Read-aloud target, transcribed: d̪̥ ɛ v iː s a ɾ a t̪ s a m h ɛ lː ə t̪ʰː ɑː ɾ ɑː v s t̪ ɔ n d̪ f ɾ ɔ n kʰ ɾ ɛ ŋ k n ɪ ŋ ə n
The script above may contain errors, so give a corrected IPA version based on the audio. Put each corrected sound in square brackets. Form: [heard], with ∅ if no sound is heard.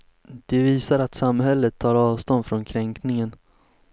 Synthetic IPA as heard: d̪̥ ɛ v iː s a ɾ a t̪ s a m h ɛ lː ə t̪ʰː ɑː ɾ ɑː v s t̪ ɔ n d̪ f ɾ ɔ n kʰ ɾ ɛ ŋ k n ɪ ŋ ə n